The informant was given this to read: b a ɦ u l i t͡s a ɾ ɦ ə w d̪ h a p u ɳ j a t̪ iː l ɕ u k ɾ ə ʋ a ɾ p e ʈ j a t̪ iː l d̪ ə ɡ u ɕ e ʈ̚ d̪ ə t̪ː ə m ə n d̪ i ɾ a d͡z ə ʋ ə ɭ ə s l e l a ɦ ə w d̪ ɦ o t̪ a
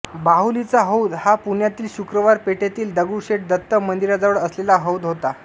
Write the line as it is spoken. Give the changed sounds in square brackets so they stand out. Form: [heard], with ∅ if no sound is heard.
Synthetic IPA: b a ɦ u l i t͡s a [∅] ɦ ə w d̪ h a p u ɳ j a t̪ iː l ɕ u k ɾ ə ʋ a ɾ p e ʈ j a t̪ iː l d̪ ə ɡ u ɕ e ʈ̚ d̪ ə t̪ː ə m ə n d̪ i ɾ a d͡z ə ʋ ə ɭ ə s l e l a ɦ ə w d̪ ɦ o t̪ a